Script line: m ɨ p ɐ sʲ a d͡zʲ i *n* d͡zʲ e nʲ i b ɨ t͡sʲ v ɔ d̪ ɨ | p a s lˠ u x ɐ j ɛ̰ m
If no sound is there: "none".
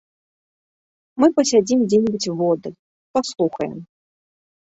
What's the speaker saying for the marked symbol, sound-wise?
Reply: m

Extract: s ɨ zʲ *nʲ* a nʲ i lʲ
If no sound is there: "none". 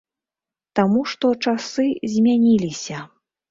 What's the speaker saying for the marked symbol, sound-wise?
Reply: mʲ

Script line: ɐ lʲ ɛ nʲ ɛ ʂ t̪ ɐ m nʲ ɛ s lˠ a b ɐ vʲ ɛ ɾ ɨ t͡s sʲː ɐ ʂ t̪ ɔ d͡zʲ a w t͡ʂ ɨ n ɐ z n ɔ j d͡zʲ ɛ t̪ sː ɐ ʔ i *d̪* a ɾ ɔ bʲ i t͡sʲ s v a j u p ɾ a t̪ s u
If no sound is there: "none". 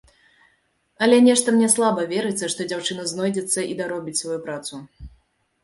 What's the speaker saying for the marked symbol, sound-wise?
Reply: d̪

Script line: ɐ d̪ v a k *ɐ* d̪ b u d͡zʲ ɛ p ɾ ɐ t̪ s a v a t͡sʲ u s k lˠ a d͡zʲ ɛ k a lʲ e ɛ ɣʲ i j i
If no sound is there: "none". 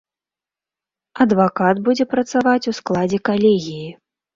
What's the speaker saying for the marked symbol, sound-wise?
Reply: a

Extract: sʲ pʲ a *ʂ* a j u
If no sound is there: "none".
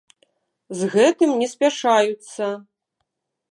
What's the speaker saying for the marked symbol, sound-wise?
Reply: ʂ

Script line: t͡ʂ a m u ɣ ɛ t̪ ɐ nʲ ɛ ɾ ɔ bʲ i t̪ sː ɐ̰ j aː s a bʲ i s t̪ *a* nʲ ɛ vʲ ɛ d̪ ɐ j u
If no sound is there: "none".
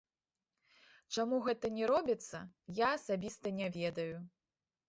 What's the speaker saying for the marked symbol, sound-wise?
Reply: ɐ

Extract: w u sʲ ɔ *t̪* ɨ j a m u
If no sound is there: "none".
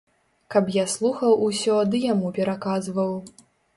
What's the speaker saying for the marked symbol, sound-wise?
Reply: d̪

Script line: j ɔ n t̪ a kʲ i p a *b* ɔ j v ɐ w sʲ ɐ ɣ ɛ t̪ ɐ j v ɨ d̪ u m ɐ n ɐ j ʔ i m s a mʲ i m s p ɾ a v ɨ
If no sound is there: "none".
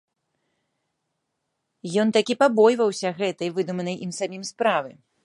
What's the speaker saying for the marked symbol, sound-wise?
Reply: b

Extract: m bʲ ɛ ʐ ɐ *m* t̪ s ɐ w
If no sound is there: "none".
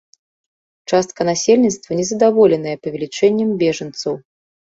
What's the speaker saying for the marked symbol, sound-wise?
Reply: n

